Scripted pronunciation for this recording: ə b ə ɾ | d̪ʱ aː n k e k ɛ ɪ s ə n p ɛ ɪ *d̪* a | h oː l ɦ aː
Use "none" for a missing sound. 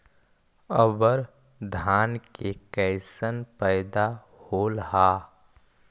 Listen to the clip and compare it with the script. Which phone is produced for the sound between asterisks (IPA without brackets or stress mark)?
d̪